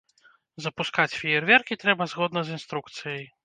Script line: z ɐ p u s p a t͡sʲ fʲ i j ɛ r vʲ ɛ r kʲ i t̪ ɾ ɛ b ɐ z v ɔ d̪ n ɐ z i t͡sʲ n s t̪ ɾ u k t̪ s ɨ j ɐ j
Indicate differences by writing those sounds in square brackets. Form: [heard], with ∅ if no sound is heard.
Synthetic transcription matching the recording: z ɐ p u s [k] a t͡sʲ fʲ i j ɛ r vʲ ɛ r kʲ i t̪ ɾ ɛ b ɐ z [ɣ] ɔ d̪ n ɐ z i [∅] n s t̪ ɾ u k t̪ s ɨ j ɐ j